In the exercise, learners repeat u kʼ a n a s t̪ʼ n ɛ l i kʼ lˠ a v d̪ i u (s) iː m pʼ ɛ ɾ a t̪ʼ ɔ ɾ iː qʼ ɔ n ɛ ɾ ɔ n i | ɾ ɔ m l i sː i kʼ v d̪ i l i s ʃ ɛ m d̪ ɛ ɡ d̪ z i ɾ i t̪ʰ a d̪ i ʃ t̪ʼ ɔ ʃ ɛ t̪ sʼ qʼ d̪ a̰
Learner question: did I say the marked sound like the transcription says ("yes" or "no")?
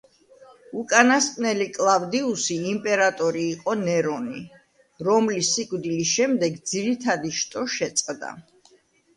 yes